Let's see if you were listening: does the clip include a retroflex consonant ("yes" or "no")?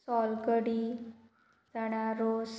yes